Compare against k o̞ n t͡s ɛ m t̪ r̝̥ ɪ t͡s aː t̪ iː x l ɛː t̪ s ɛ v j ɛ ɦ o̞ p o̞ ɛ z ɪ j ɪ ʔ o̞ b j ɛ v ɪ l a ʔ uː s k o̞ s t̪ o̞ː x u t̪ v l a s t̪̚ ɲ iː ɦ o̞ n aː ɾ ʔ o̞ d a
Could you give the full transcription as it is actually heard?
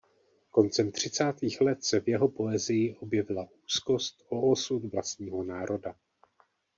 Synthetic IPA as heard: k o̞ n t͡s ɛ m t̪ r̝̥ ɪ t͡s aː t̪ iː x l ɛ t̪ s ɛ v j ɛ ɦ o̞ p o̞ ɛ z ɪ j ɪ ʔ o̞ b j ɛ v ɪ l a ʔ uː s k o̞ s t̪ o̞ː s u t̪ v l a s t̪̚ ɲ iː ɦ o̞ n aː ɾ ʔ o̞ d a